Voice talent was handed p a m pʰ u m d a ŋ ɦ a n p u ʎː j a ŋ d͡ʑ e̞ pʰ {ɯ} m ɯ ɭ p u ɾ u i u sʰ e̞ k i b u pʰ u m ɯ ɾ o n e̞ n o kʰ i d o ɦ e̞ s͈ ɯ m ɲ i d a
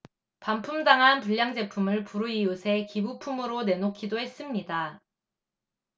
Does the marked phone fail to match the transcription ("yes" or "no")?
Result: yes